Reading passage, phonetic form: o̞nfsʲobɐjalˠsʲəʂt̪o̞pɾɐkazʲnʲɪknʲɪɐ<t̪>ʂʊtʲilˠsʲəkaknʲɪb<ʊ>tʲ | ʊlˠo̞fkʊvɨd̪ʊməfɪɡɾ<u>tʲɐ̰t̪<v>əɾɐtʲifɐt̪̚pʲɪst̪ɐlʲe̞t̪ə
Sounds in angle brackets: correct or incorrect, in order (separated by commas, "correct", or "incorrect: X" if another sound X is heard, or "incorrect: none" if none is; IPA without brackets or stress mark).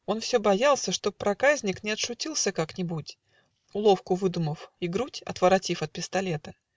correct, incorrect: u, correct, correct